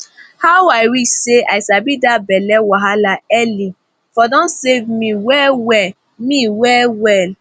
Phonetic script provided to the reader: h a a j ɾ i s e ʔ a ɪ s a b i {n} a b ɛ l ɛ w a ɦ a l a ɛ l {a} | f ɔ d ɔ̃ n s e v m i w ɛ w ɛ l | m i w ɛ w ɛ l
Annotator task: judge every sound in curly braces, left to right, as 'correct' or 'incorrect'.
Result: incorrect, incorrect

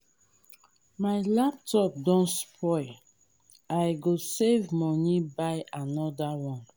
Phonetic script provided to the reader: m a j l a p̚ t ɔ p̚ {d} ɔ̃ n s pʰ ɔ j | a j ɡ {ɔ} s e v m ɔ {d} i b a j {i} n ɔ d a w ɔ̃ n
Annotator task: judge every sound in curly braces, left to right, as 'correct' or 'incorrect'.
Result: correct, incorrect, incorrect, incorrect

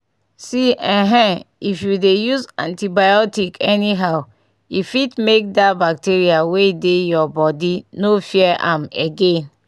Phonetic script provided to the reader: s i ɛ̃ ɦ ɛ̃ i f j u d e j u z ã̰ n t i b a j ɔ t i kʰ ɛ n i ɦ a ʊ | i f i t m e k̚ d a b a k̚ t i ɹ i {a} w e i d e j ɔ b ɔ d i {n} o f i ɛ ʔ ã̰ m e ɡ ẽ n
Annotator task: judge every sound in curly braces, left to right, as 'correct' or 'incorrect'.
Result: correct, correct

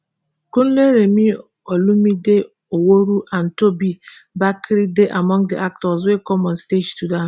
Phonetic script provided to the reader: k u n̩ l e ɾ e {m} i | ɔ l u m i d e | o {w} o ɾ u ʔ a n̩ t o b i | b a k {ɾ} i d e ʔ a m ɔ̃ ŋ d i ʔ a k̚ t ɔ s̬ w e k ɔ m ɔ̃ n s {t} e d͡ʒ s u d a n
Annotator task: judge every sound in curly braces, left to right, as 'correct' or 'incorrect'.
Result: correct, correct, correct, correct

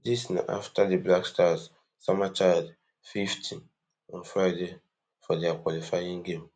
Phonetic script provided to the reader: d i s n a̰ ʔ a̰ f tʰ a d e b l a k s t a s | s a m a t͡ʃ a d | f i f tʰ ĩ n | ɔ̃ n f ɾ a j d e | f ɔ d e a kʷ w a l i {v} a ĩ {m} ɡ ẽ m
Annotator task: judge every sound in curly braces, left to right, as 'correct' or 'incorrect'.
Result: incorrect, incorrect

